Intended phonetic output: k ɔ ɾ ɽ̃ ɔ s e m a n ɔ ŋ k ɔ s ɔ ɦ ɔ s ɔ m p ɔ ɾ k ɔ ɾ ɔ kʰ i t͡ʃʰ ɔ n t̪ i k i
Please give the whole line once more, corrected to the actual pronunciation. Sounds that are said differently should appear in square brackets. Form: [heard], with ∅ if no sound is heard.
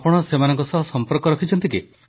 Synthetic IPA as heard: [p] ɔ [∅] ɽ̃ ɔ s e m a n ɔ ŋ k ɔ s ɔ ɦ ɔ s ɔ m p ɔ ɾ k ɔ ɾ ɔ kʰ i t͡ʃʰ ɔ n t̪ i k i

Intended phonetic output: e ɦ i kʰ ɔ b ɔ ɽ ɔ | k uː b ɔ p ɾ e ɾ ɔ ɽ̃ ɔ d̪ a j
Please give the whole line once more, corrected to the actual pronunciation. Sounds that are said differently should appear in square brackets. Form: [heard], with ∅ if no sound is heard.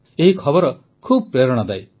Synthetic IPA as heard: e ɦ i kʰ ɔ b ɔ [ɾ] ɔ | [kʰ] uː b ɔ p ɾ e ɾ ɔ ɽ̃ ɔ d̪ a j

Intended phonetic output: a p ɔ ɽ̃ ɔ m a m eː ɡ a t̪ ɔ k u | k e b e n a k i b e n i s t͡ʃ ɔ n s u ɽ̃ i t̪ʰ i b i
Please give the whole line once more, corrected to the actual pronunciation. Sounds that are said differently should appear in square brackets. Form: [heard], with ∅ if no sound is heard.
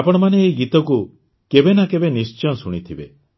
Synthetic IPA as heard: a p ɔ ɽ̃ ɔ m a [n] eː ɡ [i] t̪ ɔ k u | k e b e n a k [e] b e n i s t͡ʃ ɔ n s u ɽ̃ i t̪ʰ i b [e]

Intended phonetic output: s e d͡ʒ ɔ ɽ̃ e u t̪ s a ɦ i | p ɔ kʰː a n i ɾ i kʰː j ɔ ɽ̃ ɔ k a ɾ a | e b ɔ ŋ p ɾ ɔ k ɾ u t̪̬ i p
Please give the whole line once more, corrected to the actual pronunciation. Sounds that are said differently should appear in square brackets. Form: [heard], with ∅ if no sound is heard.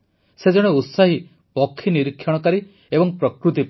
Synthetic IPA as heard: s e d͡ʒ ɔ ɽ̃ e u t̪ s a ɦ i | p ɔ kʰː [i] n i ɾ i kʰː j ɔ ɽ̃ ɔ k a ɾ [i] | e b ɔ ŋ p ɾ ɔ k ɾ u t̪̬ i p

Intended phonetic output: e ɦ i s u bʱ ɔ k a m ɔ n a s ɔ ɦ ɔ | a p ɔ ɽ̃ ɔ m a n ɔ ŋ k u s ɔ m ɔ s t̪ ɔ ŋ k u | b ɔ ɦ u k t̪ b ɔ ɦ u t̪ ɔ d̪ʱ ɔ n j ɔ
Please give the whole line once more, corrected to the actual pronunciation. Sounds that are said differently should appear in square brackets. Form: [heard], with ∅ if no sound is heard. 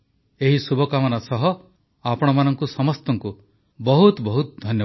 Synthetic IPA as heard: e ɦ i s u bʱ ɔ k a m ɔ n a s ɔ ɦ ɔ | a p ɔ ɽ̃ ɔ m a n ɔ ŋ k u s ɔ m ɔ s t̪ ɔ ŋ k u | b ɔ ɦ u [∅] t̪ b ɔ ɦ u t̪ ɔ d̪ʱ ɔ n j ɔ

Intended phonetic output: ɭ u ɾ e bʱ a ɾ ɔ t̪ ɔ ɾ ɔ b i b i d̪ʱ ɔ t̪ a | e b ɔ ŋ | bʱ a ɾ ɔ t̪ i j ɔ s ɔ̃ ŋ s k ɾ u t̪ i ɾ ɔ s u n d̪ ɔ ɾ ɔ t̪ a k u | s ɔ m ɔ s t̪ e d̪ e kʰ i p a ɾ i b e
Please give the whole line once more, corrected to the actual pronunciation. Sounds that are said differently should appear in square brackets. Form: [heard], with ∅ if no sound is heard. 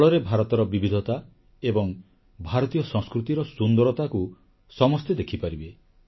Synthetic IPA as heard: ɭ [ɔ] ɾ e bʱ a ɾ ɔ t̪ ɔ ɾ ɔ b i b i d̪ʱ ɔ t̪ a | e b ɔ ŋ | bʱ a ɾ ɔ t̪ i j ɔ s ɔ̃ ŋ s k ɾ u t̪ i ɾ ɔ s u n d̪ ɔ ɾ ɔ t̪ a k u | s ɔ m ɔ s t̪ e d̪ e kʰ i p a ɾ i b e

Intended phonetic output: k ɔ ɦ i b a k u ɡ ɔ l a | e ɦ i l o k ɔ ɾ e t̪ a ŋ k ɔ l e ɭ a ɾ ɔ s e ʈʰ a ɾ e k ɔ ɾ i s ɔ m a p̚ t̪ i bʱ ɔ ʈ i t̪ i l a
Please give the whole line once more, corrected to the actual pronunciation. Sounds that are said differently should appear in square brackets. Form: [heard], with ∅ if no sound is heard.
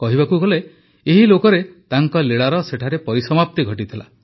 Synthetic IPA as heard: k ɔ ɦ i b a k u ɡ ɔ l [e] | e ɦ i l o k ɔ ɾ e t̪ a ŋ k ɔ l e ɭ a ɾ ɔ s e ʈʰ a ɾ e [p] ɔ ɾ i s ɔ m a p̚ t̪ i [ɡʱ] ɔ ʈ i [t̪ʰ] i l a

